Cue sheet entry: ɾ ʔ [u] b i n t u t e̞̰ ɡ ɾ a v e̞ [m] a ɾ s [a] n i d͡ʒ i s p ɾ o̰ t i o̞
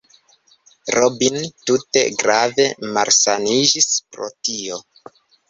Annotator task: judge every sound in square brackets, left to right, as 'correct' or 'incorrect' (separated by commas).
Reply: incorrect, correct, correct